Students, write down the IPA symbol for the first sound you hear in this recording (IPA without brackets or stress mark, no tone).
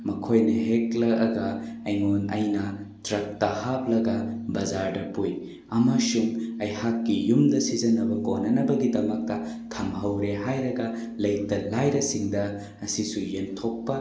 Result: m